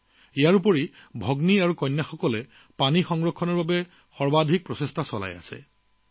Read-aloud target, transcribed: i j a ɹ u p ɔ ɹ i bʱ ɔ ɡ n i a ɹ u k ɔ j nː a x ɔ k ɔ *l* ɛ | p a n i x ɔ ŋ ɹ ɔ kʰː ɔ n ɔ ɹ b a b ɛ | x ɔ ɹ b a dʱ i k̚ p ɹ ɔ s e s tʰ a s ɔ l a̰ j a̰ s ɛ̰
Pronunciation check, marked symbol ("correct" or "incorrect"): correct